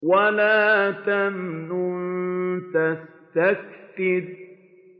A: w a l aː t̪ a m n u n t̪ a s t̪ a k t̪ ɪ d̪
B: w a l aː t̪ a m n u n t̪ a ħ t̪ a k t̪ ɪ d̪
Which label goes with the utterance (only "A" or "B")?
A